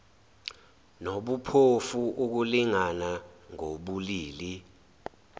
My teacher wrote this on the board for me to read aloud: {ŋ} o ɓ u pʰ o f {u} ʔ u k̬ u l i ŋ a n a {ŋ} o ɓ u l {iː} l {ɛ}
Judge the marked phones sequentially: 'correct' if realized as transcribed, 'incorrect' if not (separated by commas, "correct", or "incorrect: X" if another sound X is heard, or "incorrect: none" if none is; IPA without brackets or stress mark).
incorrect: n, correct, correct, correct, incorrect: i